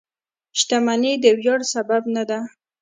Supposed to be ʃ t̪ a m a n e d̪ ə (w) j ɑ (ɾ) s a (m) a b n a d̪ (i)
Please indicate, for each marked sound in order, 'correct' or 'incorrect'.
correct, incorrect, incorrect, incorrect

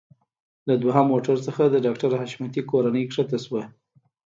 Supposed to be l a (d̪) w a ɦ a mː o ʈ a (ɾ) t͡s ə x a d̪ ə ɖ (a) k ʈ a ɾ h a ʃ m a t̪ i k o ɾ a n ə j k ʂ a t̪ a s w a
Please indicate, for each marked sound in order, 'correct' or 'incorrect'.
correct, correct, incorrect

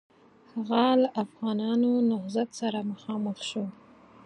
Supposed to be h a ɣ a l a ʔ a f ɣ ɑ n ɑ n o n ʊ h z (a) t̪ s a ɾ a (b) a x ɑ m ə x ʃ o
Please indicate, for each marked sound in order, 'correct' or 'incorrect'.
correct, incorrect

